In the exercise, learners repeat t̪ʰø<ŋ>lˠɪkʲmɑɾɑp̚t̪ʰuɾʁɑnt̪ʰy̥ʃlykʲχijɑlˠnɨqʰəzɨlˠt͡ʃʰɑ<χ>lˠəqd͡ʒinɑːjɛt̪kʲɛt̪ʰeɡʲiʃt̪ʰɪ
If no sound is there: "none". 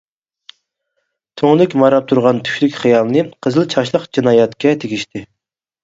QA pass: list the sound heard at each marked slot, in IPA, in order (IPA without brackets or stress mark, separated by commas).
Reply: ŋ, ʃ